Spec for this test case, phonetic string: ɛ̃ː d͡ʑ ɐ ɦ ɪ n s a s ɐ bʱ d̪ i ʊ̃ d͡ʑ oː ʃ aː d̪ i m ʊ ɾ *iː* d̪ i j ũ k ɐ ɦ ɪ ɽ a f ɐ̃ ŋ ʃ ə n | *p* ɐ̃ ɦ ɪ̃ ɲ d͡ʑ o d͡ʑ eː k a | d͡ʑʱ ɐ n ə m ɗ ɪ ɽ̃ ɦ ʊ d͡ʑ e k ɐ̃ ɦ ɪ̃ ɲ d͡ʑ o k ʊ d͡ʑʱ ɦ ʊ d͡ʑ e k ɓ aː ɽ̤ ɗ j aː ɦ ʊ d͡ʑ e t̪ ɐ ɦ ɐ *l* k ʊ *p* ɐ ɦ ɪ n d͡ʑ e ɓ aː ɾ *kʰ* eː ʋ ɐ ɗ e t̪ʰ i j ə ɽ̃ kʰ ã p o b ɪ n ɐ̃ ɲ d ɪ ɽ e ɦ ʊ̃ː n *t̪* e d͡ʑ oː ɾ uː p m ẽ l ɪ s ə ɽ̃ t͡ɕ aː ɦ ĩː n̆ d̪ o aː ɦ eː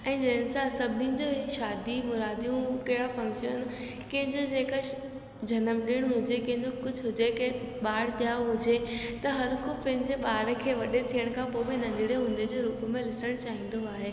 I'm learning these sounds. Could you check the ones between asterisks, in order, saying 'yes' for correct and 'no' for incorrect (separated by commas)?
no, no, no, yes, yes, no